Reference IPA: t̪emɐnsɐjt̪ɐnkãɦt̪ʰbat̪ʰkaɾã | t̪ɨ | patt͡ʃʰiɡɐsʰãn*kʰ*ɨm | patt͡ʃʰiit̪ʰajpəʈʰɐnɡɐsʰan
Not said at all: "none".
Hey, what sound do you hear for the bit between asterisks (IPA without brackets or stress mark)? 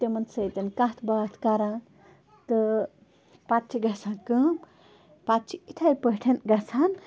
k